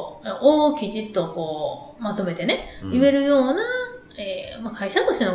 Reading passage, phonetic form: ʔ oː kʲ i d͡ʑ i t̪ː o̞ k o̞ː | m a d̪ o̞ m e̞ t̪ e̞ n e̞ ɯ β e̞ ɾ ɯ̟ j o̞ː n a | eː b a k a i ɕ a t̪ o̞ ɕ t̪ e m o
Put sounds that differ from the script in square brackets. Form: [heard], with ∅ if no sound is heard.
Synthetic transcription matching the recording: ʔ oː kʲ i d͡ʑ i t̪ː o̞ k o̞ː | m a [t̪] o̞ m e̞ t̪ e̞ n e̞ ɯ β e̞ ɾ ɯ̟ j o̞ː n a | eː [m] a k a i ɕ a t̪ o̞ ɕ t̪ e [n] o